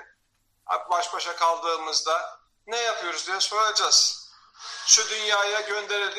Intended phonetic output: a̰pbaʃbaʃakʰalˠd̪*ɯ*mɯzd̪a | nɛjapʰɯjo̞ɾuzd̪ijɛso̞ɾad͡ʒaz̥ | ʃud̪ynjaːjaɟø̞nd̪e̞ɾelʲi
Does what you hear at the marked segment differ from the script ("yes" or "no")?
yes